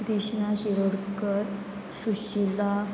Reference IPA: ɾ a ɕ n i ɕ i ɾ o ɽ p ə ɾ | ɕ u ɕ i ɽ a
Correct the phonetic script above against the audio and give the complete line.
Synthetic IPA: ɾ i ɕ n a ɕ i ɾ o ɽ k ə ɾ | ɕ u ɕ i l a